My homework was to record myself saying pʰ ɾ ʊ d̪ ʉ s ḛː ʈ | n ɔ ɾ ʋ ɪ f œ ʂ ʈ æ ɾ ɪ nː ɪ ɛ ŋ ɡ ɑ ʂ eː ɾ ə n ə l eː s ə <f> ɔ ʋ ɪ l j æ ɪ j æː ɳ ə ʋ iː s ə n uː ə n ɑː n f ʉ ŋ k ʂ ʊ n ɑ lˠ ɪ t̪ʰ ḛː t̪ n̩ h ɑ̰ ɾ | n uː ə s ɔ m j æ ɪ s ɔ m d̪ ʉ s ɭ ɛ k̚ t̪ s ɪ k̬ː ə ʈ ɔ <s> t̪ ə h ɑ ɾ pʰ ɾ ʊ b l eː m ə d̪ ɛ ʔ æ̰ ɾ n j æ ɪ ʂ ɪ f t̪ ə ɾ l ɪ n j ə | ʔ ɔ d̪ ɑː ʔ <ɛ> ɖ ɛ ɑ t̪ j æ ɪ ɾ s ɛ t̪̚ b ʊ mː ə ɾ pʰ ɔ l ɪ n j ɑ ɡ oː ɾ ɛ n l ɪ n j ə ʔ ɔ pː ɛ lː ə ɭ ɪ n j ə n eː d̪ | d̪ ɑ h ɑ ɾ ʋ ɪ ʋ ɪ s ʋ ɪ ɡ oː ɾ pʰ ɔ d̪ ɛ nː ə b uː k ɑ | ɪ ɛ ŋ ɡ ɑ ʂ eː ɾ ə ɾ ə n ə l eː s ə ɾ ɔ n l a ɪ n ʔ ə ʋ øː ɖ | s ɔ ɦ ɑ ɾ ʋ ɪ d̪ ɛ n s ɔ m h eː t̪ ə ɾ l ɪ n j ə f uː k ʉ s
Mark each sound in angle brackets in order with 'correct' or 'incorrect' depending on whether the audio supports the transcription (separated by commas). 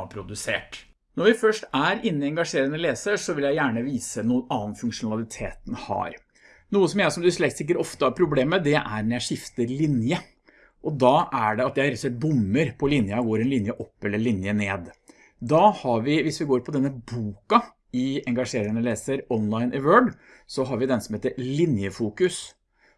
incorrect, incorrect, incorrect